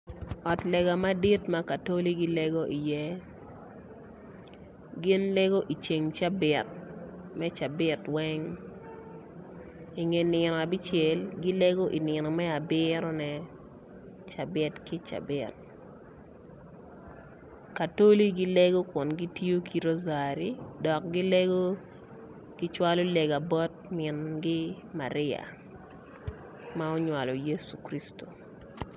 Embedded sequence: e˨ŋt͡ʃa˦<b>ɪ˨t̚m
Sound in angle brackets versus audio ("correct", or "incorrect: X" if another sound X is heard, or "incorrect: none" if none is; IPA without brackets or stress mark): correct